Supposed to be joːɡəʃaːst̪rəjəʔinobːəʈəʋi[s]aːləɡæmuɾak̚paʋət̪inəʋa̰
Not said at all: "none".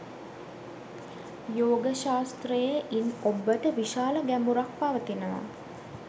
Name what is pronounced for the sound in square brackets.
ʃ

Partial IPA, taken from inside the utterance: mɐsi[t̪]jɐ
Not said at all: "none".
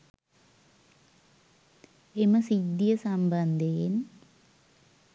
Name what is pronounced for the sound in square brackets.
d̪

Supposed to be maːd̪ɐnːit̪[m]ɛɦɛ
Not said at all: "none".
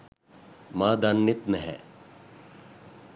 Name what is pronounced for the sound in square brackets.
n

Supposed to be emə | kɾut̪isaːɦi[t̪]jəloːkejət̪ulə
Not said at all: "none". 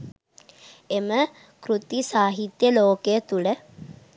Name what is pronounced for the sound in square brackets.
t̪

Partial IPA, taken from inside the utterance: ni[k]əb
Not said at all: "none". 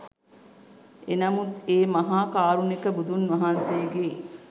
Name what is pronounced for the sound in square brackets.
k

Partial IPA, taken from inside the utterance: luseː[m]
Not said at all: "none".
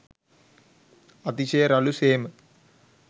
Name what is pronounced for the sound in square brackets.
m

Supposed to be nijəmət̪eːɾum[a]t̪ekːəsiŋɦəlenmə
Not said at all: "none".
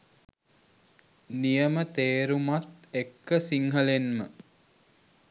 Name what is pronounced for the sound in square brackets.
a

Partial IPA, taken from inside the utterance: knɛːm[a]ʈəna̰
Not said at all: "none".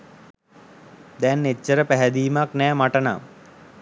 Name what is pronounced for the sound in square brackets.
a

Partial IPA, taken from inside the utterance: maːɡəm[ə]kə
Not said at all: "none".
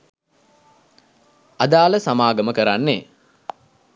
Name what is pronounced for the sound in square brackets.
ə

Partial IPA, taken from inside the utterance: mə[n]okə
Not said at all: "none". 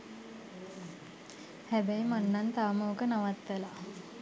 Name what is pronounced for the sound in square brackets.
none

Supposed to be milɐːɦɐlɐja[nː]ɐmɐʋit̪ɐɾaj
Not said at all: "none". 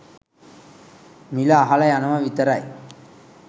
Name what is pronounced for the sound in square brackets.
n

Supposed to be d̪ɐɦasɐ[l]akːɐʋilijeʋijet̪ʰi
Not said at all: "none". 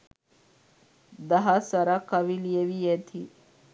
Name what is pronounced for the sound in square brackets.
ɾ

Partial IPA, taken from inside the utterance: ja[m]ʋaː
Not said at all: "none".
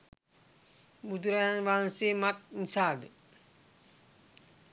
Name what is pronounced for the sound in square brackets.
n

